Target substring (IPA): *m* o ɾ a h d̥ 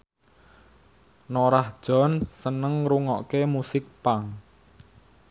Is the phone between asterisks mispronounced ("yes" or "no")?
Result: yes